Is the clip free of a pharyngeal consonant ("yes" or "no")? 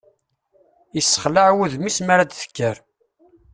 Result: no